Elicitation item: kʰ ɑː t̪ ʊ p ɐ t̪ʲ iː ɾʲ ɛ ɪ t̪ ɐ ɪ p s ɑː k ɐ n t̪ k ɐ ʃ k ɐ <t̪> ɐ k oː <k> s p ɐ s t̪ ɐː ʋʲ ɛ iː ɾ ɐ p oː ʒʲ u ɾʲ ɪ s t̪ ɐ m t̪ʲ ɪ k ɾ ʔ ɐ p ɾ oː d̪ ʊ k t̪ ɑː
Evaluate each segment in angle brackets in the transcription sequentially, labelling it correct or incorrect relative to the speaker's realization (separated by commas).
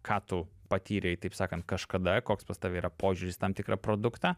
incorrect, correct